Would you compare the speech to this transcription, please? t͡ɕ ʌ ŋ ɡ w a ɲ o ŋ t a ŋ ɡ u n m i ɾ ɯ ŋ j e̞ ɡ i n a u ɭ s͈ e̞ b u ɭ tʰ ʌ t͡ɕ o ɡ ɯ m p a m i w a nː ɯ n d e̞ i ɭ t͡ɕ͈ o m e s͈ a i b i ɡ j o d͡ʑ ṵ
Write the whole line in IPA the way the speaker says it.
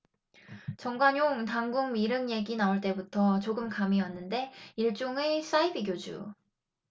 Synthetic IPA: t͡ɕ ʌ ŋ ɡ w a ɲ o ŋ t a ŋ ɡ u ŋ m i ɾ ɯ ŋ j e̞ ɡ i n a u ɭ t͈ e̞ b u tʰ ʌ t͡ɕ o ɡ ɯ m k a m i w a nː ɯ n d e̞ i ɭ t͡ɕ͈ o ŋ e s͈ a i b i ɡ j o d͡ʑ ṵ